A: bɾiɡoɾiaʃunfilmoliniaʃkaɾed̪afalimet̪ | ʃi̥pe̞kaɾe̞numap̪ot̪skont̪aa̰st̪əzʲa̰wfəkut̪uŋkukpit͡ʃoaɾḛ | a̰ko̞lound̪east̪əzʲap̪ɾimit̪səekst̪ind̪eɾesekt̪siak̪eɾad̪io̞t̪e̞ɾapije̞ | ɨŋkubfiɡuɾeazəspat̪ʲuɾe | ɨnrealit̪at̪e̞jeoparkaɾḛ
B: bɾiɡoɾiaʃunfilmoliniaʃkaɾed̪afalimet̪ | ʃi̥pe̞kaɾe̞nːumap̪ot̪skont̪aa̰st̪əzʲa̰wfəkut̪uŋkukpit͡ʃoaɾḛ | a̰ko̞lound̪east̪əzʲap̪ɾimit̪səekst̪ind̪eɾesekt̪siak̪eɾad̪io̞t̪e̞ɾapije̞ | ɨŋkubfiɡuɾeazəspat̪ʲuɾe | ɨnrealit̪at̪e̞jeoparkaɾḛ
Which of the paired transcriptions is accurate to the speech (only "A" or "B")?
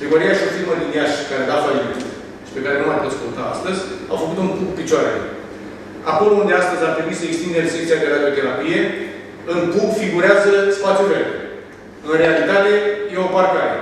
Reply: A